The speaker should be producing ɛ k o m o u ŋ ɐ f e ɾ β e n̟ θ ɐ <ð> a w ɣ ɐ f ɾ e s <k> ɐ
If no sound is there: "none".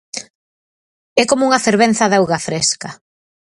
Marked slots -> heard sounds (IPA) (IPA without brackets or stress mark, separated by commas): ð, k